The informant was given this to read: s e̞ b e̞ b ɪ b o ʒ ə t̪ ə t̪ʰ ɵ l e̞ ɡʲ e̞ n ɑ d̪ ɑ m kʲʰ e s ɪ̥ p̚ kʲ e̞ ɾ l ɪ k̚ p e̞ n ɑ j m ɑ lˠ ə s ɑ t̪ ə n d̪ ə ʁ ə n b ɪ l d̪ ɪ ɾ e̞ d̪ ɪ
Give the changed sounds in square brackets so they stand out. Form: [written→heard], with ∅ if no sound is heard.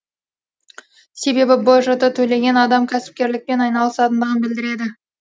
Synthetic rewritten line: s e̞ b e̞ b ɪ b o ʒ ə t̪ ə t̪ʰ ɵ l e̞ ɡʲ e̞ n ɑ d̪ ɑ m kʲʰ [e→æ] s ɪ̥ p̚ kʲ e̞ ɾ l ɪ k̚ p e̞ n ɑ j [m→n] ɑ lˠ ə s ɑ t̪ ə n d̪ ə ʁ ə n b ɪ l d̪ ɪ ɾ e̞ d̪ ɪ

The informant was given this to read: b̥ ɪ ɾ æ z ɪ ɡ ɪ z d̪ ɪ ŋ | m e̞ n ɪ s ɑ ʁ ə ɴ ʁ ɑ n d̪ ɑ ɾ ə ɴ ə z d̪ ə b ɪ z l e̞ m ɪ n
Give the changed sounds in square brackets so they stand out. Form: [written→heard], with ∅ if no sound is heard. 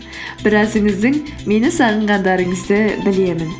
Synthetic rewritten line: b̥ ɪ ɾ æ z ɪ [ɡ→ŋ] ɪ z d̪ ɪ ŋ | m e̞ n ɪ s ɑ ʁ ə ɴ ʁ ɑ n d̪ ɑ ɾ ə ɴ ə z d̪ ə b ɪ [z→∅] l e̞ m ɪ n

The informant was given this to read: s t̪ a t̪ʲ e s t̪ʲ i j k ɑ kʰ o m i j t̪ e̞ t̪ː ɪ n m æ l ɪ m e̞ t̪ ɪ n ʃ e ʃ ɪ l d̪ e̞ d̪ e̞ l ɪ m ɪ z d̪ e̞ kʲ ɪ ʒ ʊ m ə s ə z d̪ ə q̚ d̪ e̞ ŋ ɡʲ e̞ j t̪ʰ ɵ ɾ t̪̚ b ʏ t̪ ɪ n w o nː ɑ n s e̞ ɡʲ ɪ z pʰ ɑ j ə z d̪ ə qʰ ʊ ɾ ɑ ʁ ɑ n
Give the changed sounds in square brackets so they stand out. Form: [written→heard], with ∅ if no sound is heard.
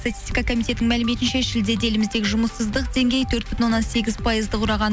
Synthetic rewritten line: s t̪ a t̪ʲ [e→i] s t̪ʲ i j k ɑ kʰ o m i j t̪ e̞ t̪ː ɪ [n→ŋ] m æ l ɪ m e̞ t̪ ɪ n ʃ e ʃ ɪ l d̪ e̞ d̪ e̞ l ɪ m ɪ z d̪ e̞ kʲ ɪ ʒ ʊ m ə s ə z d̪ ə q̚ d̪ e̞ ŋ ɡʲ e̞ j t̪ʰ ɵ ɾ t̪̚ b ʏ t̪ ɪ n w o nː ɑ n s e̞ ɡʲ ɪ z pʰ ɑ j ə z d̪ ə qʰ ʊ ɾ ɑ ʁ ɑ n

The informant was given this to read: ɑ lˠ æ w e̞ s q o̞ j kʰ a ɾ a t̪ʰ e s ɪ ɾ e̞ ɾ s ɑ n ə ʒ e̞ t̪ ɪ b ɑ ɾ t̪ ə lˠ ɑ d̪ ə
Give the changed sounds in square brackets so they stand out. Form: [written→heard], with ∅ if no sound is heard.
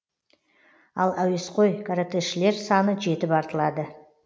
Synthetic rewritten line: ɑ lˠ æ w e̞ s q o̞ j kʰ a ɾ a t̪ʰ e [s→ʃ] ɪ [ɾ→l] e̞ ɾ s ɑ n ə ʒ e̞ t̪ ɪ [b→p] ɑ ɾ t̪ ə lˠ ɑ d̪ ə

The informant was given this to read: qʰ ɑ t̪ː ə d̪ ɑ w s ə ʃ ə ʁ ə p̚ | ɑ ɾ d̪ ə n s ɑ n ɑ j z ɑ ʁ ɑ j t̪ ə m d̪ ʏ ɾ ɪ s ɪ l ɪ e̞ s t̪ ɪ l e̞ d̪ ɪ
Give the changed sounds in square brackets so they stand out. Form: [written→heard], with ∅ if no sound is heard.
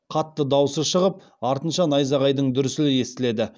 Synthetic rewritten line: qʰ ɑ t̪ː ə d̪ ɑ w s ə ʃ ə ʁ ə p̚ | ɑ ɾ [d̪→t̪] ə n [s→ʃ] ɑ n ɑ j z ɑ ʁ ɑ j [t̪→d̪] ə [m→ɴ] d̪ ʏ ɾ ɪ s ɪ l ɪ e̞ s t̪ ɪ l e̞ d̪ ɪ

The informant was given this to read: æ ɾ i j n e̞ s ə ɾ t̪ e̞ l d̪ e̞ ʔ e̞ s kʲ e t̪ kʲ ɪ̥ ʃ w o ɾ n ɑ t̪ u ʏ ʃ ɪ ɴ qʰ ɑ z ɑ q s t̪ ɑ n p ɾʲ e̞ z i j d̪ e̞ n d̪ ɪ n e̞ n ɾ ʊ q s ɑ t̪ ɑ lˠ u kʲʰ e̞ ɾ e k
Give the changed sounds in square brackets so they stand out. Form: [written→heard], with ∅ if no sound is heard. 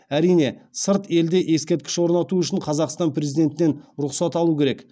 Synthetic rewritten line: æ ɾ i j n e̞ s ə ɾ t̪ e̞ l d̪ e̞ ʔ e̞ s kʲ e t̪ kʲ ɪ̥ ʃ w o ɾ n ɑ t̪ u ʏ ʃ ɪ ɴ qʰ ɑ z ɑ q s t̪ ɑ n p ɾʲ e̞ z i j d̪ e̞ n [d̪→t̪] ɪ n e̞ n ɾ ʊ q s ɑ t̪ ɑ lˠ u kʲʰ e̞ ɾ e k

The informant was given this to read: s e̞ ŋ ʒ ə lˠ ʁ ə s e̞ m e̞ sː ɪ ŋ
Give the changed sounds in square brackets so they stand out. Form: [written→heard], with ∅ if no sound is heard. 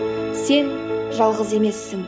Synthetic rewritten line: s e̞ [ŋ→n] ʒ [ə→ɑ] lˠ ʁ ə [s→z] e̞ m e̞ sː ɪ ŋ

